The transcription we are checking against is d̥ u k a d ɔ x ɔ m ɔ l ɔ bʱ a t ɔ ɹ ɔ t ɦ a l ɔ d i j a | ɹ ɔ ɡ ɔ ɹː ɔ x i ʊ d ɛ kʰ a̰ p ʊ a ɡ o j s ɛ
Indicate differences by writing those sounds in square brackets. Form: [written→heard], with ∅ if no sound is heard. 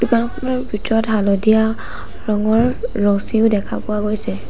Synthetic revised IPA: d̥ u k a [d→n] ɔ x ɔ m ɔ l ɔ bʱ [a→i] t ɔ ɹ ɔ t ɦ a l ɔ d i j a | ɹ ɔ [ɡ→ŋ] ɔ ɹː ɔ [x→s] i ʊ d ɛ kʰ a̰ p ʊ a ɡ o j s ɛ